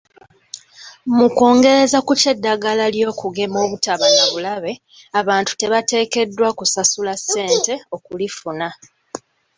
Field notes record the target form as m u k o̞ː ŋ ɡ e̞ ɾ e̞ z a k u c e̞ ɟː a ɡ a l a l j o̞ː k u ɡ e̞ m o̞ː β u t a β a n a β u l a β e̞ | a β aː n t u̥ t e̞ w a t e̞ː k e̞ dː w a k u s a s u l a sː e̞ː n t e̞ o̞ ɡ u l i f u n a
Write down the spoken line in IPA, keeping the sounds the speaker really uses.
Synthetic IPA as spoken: m u k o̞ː ŋ ɡ e̞ ɾ e̞ z a k u c e̞ dː a ɡ a l a l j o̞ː k u ɡ e̞ m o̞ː β u t a β a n a β u l a β e̞ | a β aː n t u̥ t e̞ β a t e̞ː k e̞ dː w a k u s a s u l a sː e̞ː n t e̞ o̞ k u l i f u n a

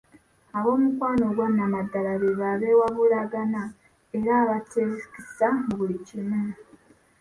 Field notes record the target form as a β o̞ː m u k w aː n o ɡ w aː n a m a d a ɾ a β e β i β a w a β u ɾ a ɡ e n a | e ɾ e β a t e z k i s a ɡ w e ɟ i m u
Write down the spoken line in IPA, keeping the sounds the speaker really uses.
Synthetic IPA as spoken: a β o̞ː m u k w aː n o ɡ w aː n a m a d a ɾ a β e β a β e w a β u ɾ a ɡ a n a | e ɾ a β a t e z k i s a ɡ w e c i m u

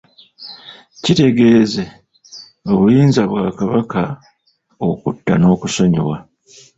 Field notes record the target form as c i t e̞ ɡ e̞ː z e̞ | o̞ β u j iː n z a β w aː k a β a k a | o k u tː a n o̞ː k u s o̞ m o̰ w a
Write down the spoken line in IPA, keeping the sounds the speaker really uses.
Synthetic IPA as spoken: c i t e̞ ɡ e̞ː z e̞ | o̞ β u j iː n z a β w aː k a β a k a | o k u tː a n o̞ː k u s o̞ ɲ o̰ w a

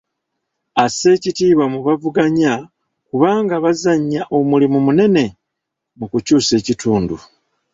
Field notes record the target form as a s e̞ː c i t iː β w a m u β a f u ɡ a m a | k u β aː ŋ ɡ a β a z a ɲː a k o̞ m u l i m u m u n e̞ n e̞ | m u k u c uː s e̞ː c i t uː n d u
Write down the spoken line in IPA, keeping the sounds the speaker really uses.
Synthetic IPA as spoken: a s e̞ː c i t iː β w a m u β a v u ɡ a ɲ a | k u β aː ŋ ɡ a β a z a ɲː a ʔ o̞ m u l i m u m u n e̞ n e̞ | m u k u c uː s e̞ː c i t uː n d u

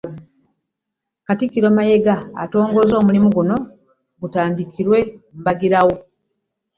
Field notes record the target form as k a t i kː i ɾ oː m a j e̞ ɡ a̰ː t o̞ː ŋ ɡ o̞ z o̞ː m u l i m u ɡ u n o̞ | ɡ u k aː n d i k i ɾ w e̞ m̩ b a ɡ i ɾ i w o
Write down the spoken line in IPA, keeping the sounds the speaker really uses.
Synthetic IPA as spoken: k a t i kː i ɾ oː m a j e̞ ɡ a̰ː t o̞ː ŋ ɡ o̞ z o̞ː m u l i m u ɡ u n o̞ | ɡ u t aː n d i k i ɾ w e̞ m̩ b a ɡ i ɾ a w o

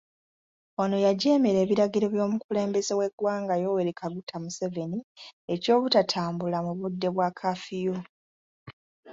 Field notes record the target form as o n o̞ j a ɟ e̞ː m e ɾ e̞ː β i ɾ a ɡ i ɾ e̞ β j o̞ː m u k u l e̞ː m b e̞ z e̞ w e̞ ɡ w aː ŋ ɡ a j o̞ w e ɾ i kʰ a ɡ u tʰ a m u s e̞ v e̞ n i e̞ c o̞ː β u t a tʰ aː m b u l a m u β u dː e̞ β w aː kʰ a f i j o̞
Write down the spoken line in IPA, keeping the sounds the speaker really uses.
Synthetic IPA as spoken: o n o̞ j a ɟ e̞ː m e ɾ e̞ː β i ɾ a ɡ i ɾ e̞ β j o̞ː m u k u l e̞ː m b e̞ z e̞ w e̞ ɡ w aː ŋ ɡ a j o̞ w e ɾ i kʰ a ɡ u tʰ a m u s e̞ v e̞ n i e̞ c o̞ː β u t a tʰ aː m b u l a m u β u dː e̞ β w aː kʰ a f i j o̞

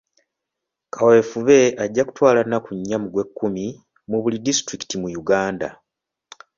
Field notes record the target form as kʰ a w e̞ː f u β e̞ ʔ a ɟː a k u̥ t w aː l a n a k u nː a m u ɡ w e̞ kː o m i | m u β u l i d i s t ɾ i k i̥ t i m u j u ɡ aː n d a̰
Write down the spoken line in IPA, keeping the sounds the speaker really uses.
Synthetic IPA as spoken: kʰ a w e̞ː f u β e̞ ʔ a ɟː a k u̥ t w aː l a n a k u ɲː a m u ɡ w e̞ kː u m i | m u β u l i d i s t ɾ i k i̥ t i m u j u ɡ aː n d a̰

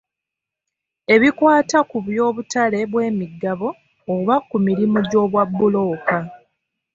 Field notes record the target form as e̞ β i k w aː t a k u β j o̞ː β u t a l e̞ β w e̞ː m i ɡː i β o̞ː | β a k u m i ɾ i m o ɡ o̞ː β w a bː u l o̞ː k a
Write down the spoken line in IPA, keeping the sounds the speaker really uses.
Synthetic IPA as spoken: e̞ β i k w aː t a k u β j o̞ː β u t a l e̞ β w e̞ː m i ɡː a β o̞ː | β a k u m i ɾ i m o ɟ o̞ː β w a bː u l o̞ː k a

